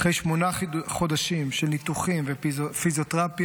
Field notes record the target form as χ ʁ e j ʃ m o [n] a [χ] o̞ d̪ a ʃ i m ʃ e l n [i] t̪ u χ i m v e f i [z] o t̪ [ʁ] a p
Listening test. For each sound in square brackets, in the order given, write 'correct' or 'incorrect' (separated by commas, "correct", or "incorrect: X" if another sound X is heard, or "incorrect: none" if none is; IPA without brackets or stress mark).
correct, correct, correct, correct, correct